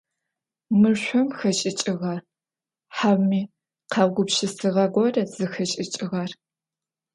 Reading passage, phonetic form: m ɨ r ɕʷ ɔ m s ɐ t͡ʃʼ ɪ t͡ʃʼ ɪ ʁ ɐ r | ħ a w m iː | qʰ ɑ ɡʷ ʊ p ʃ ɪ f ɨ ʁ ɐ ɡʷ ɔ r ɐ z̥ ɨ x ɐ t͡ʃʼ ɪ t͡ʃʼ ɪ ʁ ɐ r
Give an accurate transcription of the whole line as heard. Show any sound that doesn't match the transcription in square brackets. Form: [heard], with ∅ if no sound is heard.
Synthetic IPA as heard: m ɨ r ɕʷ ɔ m [x] ɐ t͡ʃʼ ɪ t͡ʃʼ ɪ ʁ ɐ r | ħ a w m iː | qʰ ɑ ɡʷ ʊ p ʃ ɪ [s] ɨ ʁ ɐ ɡʷ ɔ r ɐ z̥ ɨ x ɐ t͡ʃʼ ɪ t͡ʃʼ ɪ ʁ ɐ r